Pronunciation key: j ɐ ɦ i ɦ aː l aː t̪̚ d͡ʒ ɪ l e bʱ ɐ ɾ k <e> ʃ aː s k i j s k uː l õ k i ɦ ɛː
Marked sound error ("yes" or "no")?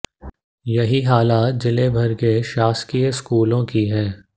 no